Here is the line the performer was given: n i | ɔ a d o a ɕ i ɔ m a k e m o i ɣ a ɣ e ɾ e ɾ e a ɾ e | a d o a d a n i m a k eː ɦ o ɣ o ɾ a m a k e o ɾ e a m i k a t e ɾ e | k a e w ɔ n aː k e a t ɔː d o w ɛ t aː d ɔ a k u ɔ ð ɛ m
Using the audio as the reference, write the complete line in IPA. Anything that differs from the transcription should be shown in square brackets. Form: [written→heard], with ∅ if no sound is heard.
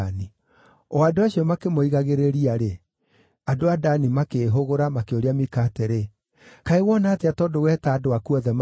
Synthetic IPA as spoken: n i | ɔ a d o a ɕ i ɔ m a k e m o i ɣ a ɣ e ɾ e ɾ [e→i] a ɾ e | a d o a d a n i m a k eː ɦ o ɣ o ɾ a m a k e o ɾ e a m i k a t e ɾ e | k a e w ɔ n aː [k→t] e a t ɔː d o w ɛ t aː d [ɔ→o] a k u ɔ ð ɛ m